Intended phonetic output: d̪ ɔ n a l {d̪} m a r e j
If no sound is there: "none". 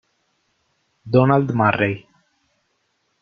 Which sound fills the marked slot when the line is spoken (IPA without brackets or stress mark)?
d̪